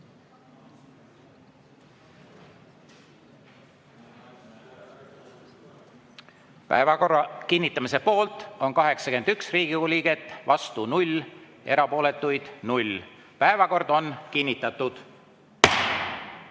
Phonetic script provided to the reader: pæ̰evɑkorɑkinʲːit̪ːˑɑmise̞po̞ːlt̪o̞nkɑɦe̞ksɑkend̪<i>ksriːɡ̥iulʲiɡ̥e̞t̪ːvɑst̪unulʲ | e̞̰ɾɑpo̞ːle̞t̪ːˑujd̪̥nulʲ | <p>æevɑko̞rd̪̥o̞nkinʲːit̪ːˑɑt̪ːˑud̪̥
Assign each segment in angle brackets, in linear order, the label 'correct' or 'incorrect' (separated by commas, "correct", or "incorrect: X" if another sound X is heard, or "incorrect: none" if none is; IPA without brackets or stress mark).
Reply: incorrect: y, correct